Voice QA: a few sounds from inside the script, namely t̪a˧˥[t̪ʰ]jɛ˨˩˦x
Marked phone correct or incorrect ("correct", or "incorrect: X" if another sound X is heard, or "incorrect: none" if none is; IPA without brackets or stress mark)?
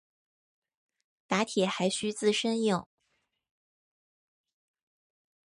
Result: correct